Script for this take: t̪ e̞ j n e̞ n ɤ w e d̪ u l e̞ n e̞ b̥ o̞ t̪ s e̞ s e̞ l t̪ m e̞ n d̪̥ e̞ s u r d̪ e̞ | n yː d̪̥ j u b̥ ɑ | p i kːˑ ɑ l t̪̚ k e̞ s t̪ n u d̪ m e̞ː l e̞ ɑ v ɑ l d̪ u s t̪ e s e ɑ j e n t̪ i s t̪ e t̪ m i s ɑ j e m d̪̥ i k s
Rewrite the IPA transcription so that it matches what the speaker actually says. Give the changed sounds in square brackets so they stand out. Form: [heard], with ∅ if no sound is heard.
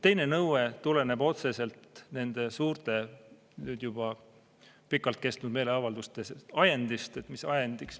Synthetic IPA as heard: t̪ e̞ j n e̞ n ɤ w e [t̪] u l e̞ n e̞ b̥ o̞ t̪ s e̞ s e̞ l t̪ [n] e̞ n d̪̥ e̞ s [uː] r [t̪] e̞ | n yː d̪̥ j u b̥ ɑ | p i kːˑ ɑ l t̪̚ k e̞ s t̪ n u d̪ m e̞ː l e̞ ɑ v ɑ l d̪ u s t̪ e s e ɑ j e n [d̪] i s t̪ e t̪ m i s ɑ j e [n] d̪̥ i k s